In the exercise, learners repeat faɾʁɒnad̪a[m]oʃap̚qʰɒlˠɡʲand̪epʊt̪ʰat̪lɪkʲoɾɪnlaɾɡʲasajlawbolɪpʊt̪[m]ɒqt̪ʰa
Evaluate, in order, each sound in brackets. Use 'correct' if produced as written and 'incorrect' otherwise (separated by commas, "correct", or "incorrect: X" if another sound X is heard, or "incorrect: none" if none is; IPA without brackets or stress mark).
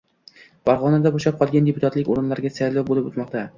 incorrect: b, correct